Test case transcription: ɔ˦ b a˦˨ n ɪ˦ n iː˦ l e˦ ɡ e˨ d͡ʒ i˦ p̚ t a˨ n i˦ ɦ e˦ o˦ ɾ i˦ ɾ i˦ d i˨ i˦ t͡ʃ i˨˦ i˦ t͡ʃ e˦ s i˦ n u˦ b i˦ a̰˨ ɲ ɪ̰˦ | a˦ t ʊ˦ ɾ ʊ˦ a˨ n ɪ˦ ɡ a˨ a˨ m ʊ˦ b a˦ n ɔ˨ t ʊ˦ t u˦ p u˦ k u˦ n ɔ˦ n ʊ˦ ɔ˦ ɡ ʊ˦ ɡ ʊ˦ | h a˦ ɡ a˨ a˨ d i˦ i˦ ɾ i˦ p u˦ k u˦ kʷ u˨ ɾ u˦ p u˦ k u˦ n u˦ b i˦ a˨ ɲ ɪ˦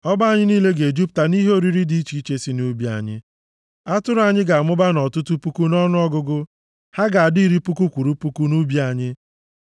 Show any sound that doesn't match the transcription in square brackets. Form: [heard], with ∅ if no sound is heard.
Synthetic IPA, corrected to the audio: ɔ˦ b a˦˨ [ɲ] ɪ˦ n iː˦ l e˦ ɡ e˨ d͡ʒ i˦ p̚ t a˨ n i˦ ɦ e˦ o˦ ɾ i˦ ɾ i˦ d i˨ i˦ t͡ʃ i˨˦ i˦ t͡ʃ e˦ s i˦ n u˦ b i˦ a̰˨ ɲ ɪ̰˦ | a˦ t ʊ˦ ɾ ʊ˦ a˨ [ɲ] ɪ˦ ɡ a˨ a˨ m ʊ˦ b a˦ n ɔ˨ t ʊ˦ t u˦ p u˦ k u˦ n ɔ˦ n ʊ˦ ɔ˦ ɡ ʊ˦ ɡ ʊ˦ | h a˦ ɡ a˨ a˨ d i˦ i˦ ɾ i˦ p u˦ k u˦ kʷ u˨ ɾ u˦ p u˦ k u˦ n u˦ b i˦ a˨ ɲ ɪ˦

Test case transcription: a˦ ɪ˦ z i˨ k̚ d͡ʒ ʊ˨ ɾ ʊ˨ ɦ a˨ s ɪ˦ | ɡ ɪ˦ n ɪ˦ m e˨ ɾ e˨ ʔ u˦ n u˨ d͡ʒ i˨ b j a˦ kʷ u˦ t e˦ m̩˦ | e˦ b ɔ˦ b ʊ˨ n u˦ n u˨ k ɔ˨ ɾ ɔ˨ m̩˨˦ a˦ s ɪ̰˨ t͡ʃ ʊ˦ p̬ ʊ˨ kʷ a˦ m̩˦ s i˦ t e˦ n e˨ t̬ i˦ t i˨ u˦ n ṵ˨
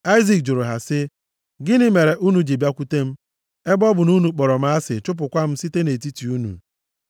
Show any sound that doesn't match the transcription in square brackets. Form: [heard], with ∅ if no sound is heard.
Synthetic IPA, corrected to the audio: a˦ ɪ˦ z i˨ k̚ d͡ʒ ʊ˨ ɾ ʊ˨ ɦ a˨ s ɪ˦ | ɡ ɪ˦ n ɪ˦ m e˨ ɾ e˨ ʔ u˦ n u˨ d͡ʒ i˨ b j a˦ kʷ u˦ t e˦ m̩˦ | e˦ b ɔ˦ b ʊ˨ n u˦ n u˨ [k͡p] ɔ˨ ɾ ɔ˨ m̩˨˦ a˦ s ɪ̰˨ t͡ʃ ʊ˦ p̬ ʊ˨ kʷ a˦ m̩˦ s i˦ t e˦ n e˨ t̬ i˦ t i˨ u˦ n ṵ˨

